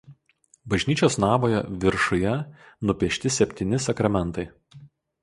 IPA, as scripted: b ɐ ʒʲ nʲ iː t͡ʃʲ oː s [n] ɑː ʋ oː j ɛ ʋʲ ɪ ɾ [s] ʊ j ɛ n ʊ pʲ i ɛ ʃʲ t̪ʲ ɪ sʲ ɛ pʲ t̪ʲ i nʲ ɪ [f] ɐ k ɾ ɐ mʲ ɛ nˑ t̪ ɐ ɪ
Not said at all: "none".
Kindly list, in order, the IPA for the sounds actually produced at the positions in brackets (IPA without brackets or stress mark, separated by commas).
n, ʃ, s